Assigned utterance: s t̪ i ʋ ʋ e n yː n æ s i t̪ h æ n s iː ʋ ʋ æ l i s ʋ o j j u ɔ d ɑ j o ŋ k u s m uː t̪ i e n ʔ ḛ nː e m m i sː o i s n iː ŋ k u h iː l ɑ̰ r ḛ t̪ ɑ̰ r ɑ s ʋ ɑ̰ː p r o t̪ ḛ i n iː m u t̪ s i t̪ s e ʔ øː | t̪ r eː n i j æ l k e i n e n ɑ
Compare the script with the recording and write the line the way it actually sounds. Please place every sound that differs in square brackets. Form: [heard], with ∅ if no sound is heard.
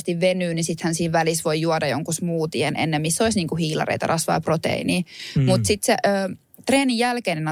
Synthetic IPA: s t̪ i ʋ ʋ e n yː n [i] s i t̪ h æ n s iː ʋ ʋ æ l i s ʋ o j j u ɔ d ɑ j o ŋ k u s m uː t̪ i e n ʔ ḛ nː e m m i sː o i s n iː ŋ k u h iː l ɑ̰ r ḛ t̪ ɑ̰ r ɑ s ʋ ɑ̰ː p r o t̪ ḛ i n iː m u t̪ s i t̪ s e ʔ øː | t̪ r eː n i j æ l k e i n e n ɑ